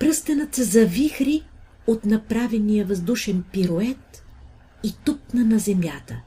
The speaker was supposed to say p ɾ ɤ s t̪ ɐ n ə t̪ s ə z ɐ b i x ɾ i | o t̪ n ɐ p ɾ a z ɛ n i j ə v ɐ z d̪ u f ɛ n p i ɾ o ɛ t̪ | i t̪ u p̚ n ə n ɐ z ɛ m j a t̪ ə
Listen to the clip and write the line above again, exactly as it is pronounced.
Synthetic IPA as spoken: p ɾ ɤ s t̪ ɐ n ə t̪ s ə z ɐ v i x ɾ i | o t̪ n ɐ p ɾ a v ɛ n i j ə v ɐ z d̪ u ʃ ɛ n p i ɾ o ɛ t̪ | i t̪ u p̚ n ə n ɐ z ɛ m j a t̪ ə